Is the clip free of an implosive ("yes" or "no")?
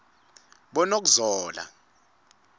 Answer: no